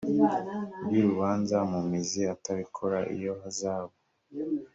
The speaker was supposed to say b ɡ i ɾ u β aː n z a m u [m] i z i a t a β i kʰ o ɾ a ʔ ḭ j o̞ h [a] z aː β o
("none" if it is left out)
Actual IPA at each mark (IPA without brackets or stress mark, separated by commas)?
m, a